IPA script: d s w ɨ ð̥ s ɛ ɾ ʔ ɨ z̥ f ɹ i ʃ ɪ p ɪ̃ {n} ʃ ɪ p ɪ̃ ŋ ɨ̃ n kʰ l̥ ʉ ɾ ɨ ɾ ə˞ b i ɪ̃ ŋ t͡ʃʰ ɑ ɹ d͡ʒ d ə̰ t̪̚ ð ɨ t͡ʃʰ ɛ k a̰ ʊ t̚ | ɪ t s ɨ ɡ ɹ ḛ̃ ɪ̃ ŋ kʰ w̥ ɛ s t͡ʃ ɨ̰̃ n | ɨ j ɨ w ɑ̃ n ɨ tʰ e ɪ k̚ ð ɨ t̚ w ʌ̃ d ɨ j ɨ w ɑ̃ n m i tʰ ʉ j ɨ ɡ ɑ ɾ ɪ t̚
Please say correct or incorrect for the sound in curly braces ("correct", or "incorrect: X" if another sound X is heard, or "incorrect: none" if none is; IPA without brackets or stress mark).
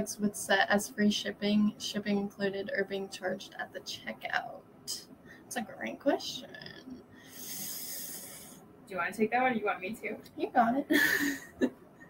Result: incorrect: ŋ